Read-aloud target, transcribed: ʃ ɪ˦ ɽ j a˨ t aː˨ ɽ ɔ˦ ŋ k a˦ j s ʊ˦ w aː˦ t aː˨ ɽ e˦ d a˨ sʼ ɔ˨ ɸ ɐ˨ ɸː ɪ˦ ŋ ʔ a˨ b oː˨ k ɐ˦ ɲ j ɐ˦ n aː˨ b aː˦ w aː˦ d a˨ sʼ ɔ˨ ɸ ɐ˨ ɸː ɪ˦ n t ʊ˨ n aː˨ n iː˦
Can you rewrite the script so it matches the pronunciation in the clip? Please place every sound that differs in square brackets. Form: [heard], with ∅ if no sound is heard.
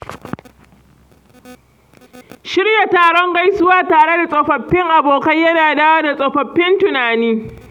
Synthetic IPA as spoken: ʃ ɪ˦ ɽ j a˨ t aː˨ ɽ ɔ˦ ŋ [ɡ] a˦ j s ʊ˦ w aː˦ t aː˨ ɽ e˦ d a˨ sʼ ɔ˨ ɸ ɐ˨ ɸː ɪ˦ ŋ ʔ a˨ b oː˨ k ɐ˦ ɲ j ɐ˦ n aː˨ [d] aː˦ w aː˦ d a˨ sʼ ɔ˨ ɸ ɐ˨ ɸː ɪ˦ n t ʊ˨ n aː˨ n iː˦